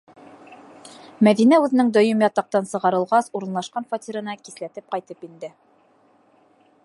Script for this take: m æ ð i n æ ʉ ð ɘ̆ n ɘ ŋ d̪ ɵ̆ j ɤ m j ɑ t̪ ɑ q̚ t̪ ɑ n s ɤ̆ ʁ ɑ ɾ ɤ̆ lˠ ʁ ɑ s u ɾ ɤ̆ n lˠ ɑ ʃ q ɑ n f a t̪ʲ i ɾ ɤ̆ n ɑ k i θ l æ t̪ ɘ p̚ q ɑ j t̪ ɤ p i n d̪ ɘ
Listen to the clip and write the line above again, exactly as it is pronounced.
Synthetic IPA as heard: m æ ð i n æ ʉ ð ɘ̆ n ɘ ŋ d̪ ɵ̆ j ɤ m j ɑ t̪ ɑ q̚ t̪ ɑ n s ɤ̆ ʁ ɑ ɾ ɤ̆ lˠ ʁ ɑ s u ɾ ɤ̆ n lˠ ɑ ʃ q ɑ n f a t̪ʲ i ɾ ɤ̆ n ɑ k i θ l æ t̪ ɘ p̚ q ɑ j t̪ ɤ p i n d̪ ɘ